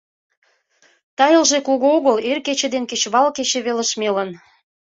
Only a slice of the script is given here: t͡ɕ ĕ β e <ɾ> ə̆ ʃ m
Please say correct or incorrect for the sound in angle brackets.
incorrect